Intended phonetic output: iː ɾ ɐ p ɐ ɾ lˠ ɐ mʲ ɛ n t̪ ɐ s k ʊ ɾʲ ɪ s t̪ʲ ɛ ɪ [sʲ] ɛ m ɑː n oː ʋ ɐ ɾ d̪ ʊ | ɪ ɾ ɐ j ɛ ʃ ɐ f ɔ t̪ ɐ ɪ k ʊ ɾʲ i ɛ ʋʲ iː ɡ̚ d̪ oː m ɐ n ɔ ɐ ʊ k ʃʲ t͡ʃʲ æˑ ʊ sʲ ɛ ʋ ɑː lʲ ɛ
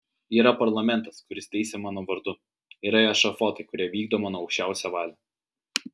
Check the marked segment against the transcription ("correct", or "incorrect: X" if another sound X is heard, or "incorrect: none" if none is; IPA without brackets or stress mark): correct